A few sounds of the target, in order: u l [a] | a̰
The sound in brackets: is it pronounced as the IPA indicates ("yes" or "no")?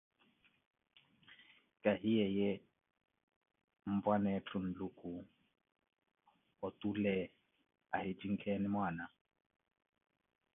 no